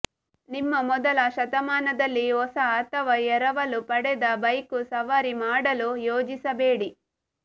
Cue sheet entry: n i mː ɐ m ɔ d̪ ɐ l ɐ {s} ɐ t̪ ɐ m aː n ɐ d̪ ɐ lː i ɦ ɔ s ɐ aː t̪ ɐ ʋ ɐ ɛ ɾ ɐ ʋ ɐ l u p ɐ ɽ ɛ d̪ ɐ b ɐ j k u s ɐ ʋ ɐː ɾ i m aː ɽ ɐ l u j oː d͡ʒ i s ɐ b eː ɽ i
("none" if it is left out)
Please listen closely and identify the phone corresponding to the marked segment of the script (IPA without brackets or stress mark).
ʃ